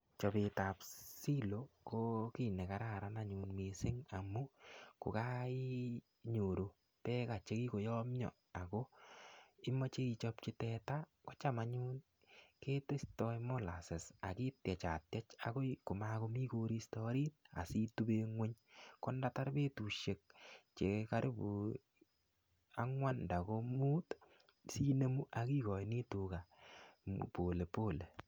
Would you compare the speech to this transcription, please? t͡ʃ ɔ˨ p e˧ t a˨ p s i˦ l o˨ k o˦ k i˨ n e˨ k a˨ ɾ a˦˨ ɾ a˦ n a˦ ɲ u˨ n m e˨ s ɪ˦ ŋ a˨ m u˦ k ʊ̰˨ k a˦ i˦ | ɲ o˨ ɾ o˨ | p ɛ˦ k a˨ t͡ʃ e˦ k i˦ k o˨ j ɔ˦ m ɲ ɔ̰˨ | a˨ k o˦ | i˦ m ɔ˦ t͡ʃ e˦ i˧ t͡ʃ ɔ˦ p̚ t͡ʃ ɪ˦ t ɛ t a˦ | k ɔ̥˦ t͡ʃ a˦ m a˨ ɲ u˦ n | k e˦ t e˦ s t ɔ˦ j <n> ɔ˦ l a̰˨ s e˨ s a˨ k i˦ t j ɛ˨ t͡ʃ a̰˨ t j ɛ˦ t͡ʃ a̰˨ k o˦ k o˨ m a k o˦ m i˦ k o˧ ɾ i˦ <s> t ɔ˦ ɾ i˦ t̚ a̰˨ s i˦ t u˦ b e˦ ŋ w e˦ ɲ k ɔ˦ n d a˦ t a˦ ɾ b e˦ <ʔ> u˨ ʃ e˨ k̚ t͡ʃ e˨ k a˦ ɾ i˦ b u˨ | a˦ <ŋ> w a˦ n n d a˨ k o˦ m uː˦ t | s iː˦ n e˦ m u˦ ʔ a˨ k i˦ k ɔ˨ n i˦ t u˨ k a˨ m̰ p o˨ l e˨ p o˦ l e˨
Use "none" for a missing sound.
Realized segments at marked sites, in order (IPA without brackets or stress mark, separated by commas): m, s, t, ŋ